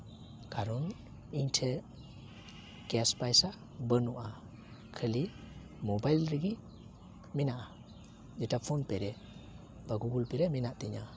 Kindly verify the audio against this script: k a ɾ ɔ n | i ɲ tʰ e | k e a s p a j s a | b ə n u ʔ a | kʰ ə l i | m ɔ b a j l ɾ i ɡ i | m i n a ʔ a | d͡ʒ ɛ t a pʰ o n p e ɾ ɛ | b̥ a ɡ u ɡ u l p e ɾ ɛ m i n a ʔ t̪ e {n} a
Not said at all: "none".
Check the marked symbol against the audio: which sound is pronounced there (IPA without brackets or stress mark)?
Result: ɲ